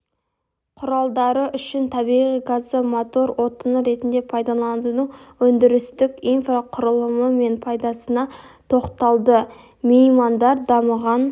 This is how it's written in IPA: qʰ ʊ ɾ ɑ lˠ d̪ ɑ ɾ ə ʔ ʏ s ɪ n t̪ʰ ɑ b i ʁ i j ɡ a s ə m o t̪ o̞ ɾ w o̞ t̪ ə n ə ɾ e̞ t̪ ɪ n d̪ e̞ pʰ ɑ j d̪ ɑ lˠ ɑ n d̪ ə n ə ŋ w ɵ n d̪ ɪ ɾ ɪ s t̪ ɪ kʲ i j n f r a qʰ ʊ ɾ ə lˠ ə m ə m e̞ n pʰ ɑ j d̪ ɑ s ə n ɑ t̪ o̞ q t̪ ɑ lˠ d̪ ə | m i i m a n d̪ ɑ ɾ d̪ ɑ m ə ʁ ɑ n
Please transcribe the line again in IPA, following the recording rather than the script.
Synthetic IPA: qʰ ʊ ɾ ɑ lˠ d̪ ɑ ɾ ə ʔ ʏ ʃ ɪ n t̪ʰ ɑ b i ʁ i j ɡ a z ə m o t̪ o̞ ɾ w o̞ t̪ ə n ə ɾ e̞ t̪ ɪ n d̪ e̞ pʰ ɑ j d̪ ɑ lˠ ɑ n d̪ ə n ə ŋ w ɵ n d̪ ɪ ɾ ɪ s t̪ ɪ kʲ i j n f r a qʰ ʊ ɾ ə lˠ ə m ə m e̞ n pʰ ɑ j d̪ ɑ s ə n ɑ t̪ʰ o̞ q t̪ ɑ lˠ d̪ ə | m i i m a n d̪ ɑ ɾ d̪ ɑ m ə ʁ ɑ n